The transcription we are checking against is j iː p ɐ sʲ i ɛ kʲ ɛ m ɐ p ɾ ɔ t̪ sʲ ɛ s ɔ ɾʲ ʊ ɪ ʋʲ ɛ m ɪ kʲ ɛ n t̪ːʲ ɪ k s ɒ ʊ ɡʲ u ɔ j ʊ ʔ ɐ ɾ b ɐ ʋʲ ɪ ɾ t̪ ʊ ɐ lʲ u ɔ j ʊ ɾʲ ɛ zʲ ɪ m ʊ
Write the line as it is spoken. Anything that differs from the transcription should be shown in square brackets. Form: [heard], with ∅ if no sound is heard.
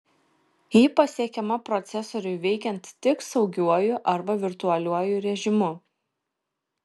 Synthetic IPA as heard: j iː p ɐ sʲ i ɛ kʲ ɛ m ɐ p ɾ ɔ t̪ sʲ ɛ s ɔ ɾʲ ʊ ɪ ʋʲ ɛ [∅] ɪ kʲ ɛ n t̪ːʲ ɪ k s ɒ ʊ ɡʲ u ɔ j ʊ ʔ ɐ ɾ b ɐ ʋʲ ɪ ɾ t̪ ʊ ɐ lʲ u ɔ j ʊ ɾʲ ɛ [ʒʲ] ɪ m ʊ